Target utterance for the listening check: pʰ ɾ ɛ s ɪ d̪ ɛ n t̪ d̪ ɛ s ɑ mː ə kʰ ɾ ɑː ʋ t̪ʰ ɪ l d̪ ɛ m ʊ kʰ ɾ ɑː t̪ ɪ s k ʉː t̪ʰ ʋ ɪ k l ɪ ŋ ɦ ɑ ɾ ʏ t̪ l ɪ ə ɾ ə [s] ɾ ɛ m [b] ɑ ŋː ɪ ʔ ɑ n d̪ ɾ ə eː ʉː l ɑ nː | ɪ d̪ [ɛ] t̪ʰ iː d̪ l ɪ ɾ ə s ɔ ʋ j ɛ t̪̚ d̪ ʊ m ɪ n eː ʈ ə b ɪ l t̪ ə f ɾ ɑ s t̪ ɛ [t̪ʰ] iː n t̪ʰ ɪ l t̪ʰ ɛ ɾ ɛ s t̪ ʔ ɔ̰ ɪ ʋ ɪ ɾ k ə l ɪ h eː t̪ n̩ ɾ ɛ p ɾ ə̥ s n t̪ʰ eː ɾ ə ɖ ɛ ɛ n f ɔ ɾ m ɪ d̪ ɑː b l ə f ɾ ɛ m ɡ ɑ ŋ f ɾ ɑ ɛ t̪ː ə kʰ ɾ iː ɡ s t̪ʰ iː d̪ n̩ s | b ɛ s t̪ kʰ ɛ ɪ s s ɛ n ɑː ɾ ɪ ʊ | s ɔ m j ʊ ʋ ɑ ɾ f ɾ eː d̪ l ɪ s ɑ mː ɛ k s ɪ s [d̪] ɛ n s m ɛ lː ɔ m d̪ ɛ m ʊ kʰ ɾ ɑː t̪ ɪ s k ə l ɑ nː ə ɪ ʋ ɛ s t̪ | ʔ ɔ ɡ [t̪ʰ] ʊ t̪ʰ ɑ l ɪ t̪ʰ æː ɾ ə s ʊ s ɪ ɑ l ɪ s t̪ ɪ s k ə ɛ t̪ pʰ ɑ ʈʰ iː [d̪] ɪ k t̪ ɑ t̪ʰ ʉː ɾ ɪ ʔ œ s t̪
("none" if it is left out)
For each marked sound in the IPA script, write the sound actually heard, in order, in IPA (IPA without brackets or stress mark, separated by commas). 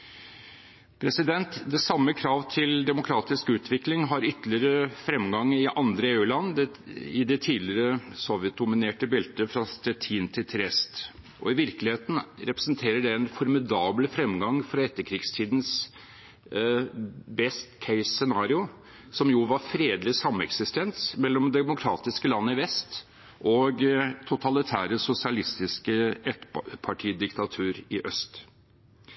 f, ɡ, ɛ, t̪ʰ, t̪, t̪ʰ, d̪